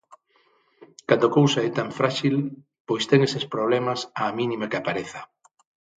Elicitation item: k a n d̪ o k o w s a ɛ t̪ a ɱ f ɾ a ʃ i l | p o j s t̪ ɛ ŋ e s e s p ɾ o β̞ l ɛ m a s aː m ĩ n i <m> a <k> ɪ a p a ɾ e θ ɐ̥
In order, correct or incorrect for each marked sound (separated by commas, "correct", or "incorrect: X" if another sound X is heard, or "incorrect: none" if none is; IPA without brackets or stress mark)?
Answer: correct, correct